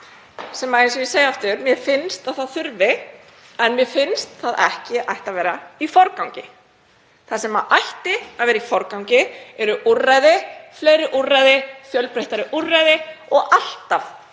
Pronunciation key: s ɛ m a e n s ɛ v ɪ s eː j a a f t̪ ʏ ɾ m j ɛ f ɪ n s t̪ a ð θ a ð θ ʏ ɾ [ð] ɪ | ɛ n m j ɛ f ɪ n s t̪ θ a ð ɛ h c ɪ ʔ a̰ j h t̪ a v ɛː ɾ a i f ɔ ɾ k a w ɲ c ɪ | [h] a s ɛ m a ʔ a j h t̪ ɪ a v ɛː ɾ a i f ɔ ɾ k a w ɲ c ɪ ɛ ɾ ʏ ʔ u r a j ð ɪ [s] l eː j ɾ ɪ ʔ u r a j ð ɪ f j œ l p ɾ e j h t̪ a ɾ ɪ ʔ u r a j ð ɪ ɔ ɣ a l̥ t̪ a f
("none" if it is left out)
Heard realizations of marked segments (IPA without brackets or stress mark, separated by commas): v, θ, f